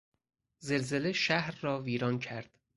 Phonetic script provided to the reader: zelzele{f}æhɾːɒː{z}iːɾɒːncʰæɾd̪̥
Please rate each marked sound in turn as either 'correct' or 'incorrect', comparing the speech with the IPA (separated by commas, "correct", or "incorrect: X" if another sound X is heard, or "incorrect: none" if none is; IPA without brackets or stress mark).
incorrect: ʃ, incorrect: v